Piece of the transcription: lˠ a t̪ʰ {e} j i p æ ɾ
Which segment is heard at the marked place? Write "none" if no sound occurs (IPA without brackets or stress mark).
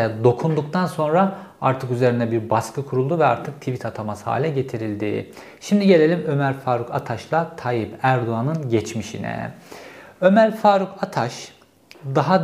a